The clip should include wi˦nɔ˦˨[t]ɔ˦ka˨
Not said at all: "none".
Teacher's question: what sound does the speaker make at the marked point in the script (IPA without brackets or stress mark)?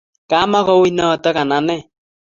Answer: t